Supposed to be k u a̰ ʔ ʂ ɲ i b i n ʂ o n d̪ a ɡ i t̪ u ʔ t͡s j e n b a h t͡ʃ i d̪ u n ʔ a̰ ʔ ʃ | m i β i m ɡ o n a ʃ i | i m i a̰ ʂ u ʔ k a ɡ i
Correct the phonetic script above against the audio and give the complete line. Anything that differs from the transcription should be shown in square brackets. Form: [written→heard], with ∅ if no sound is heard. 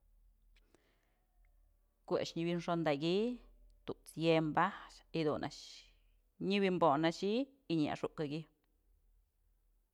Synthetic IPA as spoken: k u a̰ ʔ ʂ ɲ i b i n ʂ o n d̪ a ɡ i t̪ u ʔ t͡s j e [n→m] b a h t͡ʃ i d̪ u n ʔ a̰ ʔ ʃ | [m→ɲ] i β i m [ɡ→b] o n a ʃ i | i [m→ɲ] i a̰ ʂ u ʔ k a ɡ i